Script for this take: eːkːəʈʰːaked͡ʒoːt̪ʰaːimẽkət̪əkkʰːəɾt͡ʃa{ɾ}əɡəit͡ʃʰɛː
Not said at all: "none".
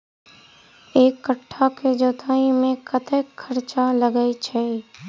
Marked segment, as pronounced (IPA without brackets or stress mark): l